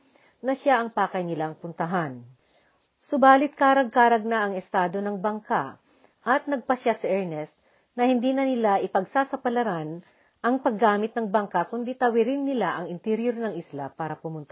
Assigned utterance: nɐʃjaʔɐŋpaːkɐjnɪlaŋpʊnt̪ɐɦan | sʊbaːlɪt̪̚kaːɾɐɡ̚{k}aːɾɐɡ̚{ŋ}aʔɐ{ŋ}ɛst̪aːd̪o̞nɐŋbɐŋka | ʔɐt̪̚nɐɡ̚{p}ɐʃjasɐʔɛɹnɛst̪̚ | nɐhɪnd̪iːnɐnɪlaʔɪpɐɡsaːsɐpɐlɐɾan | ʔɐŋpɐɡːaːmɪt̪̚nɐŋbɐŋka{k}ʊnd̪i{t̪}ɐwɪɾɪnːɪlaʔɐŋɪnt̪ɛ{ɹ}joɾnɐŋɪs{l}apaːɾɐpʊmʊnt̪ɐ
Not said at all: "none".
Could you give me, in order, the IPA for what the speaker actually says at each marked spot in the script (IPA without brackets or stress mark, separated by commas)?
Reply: k, n, ŋ, p, k, t̪, ɾ, l